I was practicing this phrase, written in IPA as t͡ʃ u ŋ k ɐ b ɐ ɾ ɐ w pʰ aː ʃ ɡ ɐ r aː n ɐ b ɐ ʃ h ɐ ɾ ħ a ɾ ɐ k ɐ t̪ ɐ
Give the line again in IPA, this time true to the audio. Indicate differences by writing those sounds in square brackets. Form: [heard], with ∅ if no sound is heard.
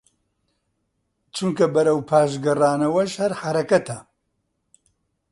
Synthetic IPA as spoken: t͡ʃ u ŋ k ɐ b ɐ ɾ ɐ w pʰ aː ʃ ɡ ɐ r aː n ɐ [w] ɐ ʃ h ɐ ɾ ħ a ɾ ɐ k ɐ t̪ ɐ